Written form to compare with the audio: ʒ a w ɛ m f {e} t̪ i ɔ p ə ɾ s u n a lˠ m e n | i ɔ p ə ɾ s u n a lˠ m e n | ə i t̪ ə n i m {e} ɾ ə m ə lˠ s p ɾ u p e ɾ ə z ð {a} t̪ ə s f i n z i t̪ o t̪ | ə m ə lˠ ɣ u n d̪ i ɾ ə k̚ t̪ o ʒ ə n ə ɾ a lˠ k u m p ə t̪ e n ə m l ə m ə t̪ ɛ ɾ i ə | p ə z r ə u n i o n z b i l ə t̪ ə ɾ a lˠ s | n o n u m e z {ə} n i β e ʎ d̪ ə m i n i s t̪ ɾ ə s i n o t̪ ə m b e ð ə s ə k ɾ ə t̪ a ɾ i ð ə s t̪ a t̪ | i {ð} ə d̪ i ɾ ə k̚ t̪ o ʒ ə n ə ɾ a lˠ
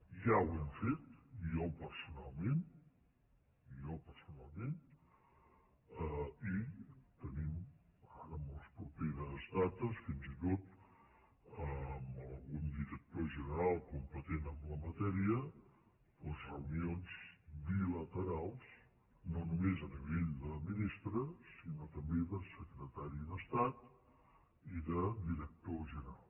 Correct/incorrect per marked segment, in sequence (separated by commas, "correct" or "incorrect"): correct, incorrect, correct, correct, correct